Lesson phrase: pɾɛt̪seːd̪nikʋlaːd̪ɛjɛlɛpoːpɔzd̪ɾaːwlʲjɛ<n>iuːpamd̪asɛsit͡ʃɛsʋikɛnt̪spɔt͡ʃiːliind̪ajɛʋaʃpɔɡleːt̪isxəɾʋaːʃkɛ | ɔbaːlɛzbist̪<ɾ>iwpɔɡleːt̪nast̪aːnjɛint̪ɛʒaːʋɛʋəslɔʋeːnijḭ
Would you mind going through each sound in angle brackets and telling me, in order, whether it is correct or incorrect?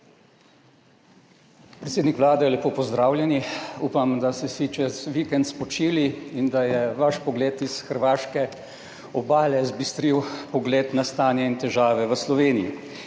correct, correct

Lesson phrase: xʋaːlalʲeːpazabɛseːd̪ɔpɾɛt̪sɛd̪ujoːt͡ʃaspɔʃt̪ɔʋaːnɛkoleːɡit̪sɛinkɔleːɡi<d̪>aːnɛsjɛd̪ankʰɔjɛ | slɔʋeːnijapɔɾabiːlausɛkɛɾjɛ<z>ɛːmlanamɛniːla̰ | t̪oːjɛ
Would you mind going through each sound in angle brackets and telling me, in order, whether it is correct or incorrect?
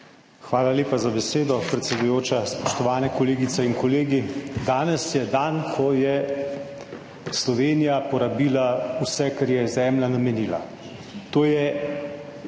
correct, correct

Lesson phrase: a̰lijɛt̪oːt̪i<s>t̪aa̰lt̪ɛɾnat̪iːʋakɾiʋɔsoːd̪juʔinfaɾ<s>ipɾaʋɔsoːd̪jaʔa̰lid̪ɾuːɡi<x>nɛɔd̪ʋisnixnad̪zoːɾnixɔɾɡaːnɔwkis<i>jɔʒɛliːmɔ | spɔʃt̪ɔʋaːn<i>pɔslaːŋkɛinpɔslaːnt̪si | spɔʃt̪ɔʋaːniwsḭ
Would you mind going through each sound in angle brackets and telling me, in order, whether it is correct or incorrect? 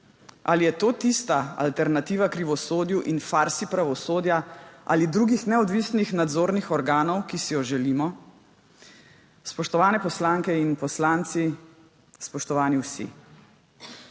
correct, correct, correct, correct, incorrect: ɛ

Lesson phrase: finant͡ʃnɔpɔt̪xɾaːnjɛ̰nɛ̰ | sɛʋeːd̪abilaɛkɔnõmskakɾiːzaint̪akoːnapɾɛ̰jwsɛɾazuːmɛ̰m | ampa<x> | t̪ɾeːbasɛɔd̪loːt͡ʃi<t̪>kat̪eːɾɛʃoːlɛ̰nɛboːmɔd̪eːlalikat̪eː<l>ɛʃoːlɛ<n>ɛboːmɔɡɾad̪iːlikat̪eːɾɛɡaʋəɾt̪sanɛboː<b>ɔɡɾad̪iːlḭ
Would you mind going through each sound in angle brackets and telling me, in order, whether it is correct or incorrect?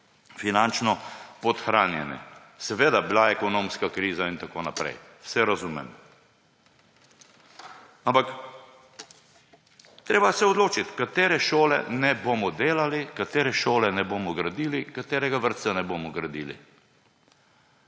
incorrect: k, correct, incorrect: ɾ, correct, incorrect: m

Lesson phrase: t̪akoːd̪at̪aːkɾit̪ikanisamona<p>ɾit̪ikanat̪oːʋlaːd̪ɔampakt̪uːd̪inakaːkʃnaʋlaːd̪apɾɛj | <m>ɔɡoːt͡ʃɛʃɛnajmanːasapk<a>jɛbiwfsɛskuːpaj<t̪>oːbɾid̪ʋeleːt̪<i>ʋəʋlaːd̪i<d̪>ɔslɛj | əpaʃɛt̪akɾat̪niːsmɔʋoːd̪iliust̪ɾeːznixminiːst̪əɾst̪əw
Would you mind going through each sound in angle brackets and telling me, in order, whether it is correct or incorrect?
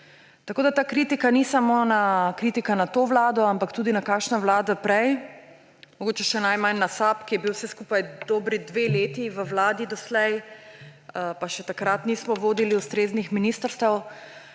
incorrect: k, correct, incorrect: i, incorrect: d̪, correct, correct

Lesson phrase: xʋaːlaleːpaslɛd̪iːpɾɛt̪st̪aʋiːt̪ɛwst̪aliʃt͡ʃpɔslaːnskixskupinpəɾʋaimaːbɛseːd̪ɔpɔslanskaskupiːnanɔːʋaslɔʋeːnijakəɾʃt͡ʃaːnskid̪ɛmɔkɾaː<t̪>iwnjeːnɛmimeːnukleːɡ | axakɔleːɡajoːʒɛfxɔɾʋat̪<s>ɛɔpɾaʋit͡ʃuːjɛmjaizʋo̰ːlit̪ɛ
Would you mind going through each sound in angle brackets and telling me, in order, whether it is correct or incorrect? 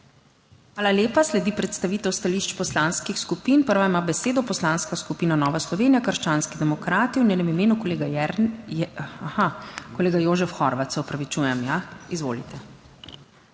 correct, correct

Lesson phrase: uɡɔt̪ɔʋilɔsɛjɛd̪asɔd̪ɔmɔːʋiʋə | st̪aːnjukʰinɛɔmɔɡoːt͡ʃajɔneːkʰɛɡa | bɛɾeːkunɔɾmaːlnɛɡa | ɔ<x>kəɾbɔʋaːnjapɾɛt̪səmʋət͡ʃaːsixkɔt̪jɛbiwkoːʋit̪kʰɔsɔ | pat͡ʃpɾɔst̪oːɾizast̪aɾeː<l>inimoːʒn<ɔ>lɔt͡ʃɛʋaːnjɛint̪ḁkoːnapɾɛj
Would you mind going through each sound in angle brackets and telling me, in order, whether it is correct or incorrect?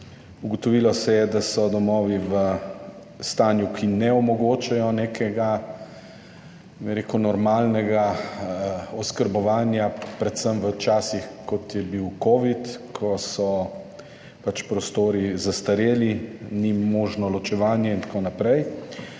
incorrect: s, correct, correct

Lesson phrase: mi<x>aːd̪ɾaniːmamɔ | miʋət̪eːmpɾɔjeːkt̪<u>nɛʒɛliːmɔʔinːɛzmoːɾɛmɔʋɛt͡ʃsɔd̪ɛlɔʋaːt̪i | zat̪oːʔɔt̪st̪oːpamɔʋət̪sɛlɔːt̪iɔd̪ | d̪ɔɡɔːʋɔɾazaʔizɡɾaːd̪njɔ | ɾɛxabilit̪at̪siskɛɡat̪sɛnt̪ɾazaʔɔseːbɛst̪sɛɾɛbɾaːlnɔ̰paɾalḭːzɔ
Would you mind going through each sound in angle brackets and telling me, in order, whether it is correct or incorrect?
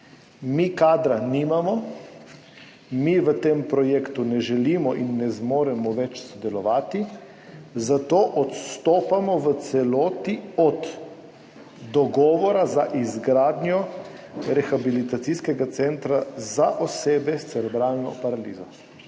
incorrect: k, correct

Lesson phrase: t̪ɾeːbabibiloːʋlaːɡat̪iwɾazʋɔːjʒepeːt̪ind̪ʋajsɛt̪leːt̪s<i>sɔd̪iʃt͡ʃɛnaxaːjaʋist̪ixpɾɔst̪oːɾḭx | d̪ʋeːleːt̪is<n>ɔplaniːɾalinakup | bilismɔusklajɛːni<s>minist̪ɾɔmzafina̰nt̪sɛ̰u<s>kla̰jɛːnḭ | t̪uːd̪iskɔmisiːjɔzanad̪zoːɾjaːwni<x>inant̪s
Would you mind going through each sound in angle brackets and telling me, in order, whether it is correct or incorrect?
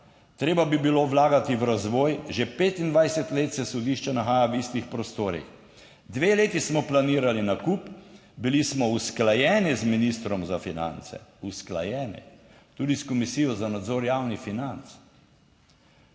incorrect: ɛ, incorrect: m, incorrect: z, correct, incorrect: f

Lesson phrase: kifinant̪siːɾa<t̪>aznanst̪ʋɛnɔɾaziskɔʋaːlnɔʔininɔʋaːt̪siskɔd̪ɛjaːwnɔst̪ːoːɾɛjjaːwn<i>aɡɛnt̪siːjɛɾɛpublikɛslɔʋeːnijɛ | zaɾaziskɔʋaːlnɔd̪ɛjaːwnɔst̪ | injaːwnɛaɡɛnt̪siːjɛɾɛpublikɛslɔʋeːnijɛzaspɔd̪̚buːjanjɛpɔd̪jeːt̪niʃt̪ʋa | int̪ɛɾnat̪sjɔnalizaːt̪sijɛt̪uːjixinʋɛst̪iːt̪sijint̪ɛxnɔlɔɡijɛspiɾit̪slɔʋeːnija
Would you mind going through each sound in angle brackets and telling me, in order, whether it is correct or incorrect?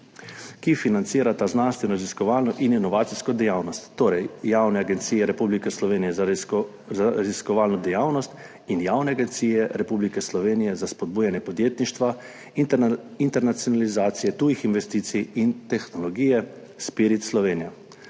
correct, incorrect: ɛ

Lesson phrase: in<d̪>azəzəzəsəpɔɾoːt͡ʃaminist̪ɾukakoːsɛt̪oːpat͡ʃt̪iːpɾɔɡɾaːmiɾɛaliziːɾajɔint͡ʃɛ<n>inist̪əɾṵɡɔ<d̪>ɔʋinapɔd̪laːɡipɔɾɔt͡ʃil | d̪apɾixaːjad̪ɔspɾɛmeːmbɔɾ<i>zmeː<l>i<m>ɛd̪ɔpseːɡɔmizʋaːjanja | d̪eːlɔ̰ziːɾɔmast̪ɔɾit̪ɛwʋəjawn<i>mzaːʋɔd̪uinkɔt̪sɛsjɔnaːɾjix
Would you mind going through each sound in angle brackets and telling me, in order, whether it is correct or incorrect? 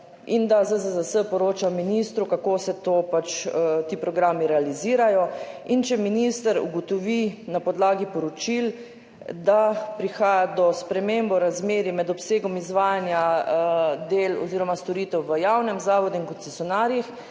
correct, incorrect: m, incorrect: t̪, incorrect: a, incorrect: ɾ, correct, incorrect: ɛ

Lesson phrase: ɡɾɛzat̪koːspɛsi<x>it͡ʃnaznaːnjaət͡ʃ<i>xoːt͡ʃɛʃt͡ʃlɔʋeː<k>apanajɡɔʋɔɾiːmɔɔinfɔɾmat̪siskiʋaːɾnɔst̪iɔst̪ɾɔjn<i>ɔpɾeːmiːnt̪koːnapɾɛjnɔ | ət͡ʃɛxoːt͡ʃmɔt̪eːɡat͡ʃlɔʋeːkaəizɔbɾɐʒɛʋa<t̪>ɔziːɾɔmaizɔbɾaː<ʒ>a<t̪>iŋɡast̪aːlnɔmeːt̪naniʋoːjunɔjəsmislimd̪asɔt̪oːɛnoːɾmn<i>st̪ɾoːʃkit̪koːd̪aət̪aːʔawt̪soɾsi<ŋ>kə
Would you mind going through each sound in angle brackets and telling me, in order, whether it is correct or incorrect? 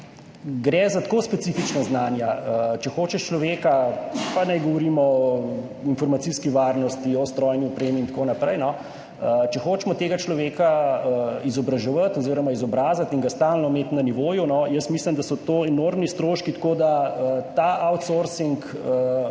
incorrect: f, incorrect: ɛ, correct, correct, correct, incorrect: z, correct, correct, correct

